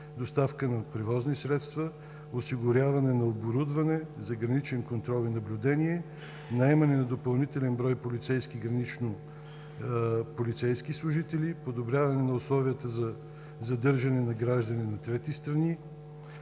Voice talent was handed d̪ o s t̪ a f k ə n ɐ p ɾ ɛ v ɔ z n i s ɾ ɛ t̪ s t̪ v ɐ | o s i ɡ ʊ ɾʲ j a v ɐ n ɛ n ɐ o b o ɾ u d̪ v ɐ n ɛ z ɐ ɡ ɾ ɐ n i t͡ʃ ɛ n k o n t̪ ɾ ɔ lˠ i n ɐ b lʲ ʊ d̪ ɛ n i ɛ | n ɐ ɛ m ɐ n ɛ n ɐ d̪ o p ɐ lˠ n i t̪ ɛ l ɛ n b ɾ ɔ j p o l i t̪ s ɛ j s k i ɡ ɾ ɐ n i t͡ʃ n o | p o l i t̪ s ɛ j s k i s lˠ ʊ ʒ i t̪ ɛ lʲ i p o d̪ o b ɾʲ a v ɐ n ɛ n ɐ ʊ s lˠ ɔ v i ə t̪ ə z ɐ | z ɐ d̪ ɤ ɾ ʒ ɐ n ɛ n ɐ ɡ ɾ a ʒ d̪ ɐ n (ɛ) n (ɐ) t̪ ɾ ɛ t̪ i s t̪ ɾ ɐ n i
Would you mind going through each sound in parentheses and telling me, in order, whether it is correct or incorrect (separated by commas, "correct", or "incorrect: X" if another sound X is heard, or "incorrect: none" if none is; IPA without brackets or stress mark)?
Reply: incorrect: i, correct